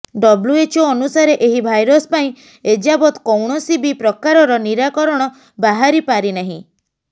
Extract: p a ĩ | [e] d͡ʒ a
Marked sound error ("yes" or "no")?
no